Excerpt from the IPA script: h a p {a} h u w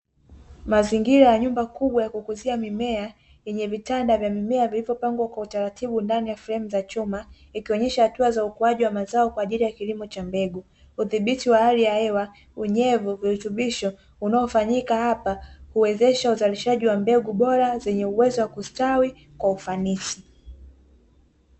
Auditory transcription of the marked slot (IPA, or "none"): a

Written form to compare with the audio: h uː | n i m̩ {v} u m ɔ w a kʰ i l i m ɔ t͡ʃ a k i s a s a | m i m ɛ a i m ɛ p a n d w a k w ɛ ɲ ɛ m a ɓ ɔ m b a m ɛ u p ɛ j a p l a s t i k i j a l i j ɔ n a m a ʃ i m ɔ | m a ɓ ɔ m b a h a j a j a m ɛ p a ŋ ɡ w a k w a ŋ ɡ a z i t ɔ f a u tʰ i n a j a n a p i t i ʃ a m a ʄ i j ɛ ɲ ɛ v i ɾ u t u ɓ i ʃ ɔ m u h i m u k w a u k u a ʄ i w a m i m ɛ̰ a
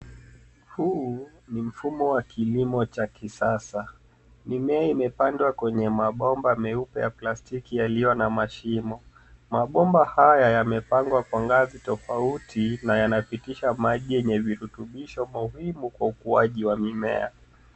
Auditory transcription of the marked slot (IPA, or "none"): f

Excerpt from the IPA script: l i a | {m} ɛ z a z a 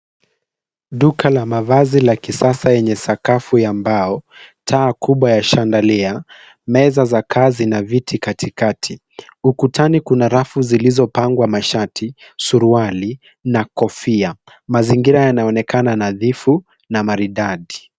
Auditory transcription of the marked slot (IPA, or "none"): m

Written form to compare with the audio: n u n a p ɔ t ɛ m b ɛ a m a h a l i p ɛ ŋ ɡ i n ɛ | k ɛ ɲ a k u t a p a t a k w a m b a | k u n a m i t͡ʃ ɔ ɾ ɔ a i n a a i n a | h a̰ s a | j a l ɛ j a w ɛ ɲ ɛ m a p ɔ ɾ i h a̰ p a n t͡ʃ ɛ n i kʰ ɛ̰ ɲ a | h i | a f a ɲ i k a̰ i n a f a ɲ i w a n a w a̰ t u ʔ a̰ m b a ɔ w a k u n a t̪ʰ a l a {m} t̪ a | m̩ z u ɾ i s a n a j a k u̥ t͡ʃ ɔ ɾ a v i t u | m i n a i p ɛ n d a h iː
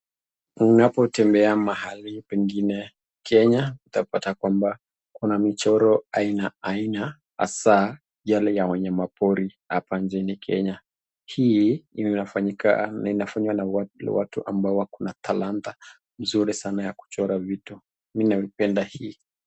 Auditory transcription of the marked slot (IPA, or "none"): n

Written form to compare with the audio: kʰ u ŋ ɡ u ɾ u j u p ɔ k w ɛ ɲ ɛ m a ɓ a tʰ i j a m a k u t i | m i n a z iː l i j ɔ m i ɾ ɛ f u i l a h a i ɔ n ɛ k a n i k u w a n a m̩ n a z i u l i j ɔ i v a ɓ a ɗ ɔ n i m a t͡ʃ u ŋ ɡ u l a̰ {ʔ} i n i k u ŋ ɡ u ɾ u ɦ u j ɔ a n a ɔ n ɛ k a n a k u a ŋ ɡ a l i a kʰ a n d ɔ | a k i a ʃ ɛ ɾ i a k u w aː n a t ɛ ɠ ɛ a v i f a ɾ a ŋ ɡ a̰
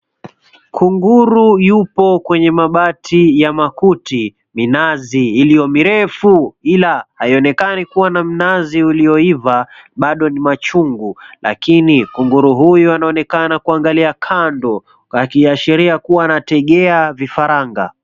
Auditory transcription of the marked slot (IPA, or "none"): k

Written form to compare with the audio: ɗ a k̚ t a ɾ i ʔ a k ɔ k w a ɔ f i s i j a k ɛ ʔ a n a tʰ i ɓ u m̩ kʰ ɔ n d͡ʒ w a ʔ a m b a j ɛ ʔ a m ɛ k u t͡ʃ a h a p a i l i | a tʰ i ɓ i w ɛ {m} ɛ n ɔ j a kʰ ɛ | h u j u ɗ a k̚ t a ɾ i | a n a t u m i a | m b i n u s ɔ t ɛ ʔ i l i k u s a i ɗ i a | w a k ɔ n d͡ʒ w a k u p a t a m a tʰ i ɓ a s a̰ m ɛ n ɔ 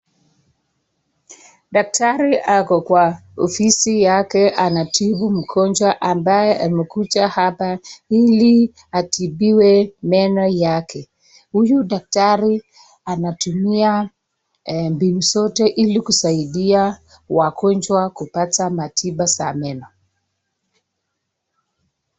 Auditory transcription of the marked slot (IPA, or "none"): m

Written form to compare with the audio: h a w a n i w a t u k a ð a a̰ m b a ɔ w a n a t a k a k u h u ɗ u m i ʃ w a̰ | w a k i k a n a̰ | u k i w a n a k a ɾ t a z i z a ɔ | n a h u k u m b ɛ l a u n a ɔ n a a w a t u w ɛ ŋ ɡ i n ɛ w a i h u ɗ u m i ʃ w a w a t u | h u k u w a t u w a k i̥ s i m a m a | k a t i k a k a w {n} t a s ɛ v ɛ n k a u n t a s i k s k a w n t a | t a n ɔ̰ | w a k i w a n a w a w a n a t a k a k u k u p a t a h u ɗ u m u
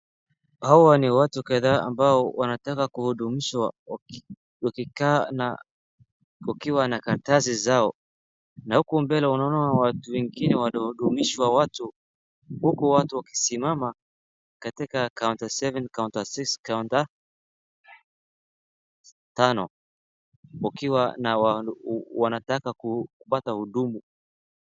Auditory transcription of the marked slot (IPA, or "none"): n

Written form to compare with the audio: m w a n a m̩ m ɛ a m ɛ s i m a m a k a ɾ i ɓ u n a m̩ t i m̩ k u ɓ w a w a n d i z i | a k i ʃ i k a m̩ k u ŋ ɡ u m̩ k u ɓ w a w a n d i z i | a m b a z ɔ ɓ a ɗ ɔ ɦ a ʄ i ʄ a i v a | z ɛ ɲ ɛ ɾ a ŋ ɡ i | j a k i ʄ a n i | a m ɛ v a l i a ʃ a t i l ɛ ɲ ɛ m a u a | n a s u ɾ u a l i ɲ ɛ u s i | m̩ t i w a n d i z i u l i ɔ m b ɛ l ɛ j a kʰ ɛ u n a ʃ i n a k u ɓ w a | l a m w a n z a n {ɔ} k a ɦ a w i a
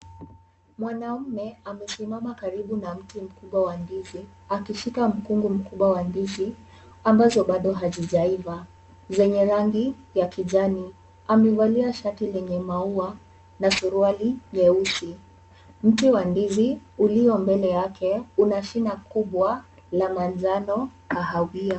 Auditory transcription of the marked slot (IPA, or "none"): ɔ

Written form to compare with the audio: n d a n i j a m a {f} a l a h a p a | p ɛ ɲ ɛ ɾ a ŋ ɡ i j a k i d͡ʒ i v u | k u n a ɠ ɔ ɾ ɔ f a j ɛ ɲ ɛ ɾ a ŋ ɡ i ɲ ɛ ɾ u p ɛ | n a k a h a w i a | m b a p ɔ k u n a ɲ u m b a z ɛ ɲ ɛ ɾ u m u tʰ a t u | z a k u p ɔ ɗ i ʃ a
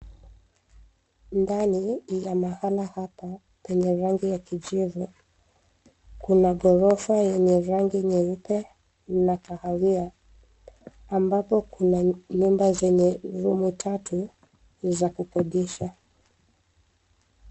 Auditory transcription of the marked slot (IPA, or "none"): h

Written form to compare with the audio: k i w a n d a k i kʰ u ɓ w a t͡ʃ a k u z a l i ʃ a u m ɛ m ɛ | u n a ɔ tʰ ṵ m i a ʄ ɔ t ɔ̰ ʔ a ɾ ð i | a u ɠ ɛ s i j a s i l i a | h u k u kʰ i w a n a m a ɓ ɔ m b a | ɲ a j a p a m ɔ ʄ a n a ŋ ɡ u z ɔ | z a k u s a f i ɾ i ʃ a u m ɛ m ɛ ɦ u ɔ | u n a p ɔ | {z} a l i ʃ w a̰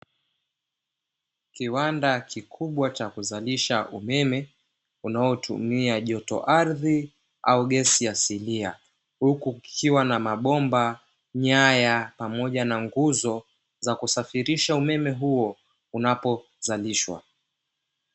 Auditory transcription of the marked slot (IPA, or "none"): z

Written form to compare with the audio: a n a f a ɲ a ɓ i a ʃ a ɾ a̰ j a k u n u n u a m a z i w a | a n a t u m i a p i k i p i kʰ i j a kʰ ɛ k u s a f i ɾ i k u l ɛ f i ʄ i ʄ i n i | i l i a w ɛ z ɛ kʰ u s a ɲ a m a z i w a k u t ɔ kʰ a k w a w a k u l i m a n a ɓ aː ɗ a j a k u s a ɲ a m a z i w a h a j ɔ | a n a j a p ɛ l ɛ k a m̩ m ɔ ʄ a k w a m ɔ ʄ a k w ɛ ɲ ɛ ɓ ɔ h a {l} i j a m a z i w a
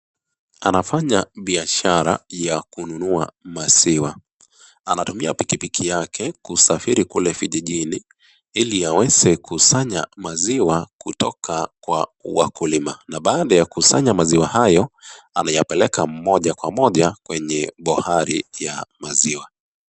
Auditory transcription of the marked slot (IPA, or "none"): ɾ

